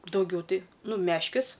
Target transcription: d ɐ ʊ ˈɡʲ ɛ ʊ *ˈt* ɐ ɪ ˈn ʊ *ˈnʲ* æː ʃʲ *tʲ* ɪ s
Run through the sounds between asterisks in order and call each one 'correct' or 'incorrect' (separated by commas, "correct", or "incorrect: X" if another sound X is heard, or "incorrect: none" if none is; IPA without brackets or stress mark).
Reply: correct, incorrect: mʲ, incorrect: kʲ